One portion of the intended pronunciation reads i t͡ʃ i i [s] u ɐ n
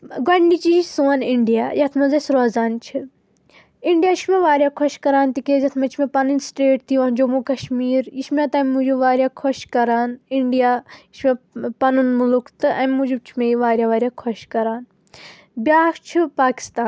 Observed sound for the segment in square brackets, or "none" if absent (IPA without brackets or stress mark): s